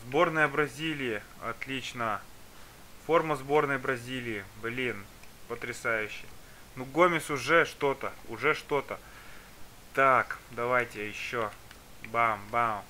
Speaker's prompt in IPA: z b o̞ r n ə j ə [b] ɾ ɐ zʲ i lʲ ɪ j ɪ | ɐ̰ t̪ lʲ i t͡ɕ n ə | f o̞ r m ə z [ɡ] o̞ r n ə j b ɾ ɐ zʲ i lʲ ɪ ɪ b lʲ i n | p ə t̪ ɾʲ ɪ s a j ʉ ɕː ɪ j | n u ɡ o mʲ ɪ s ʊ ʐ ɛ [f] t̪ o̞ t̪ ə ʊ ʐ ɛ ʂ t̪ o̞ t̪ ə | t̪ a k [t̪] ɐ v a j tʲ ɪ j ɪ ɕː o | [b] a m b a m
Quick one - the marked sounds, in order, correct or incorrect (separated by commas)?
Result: correct, incorrect, incorrect, incorrect, correct